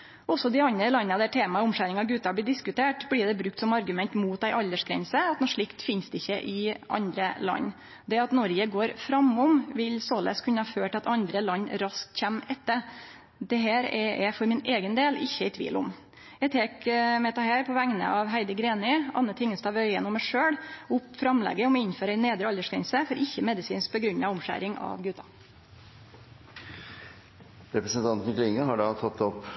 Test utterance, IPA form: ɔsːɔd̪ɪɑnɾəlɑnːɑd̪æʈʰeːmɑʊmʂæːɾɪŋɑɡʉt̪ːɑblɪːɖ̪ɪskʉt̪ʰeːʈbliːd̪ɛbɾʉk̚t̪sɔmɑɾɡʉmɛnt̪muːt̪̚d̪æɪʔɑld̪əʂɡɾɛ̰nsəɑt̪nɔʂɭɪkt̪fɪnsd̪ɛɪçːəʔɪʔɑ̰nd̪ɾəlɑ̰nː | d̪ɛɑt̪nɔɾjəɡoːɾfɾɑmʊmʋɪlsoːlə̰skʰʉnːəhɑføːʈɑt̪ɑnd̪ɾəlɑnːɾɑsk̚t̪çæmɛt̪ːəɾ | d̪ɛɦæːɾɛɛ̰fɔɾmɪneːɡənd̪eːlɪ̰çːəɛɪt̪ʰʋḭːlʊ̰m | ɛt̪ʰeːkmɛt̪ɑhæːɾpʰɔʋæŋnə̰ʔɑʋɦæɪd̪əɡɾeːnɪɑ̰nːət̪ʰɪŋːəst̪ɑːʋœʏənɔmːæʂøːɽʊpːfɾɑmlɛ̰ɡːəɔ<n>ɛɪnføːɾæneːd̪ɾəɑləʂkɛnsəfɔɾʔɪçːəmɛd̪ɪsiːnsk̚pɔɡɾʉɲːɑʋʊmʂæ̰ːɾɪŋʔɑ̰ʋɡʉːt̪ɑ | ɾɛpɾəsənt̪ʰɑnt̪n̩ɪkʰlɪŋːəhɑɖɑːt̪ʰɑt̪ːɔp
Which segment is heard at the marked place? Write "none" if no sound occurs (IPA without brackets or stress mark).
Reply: m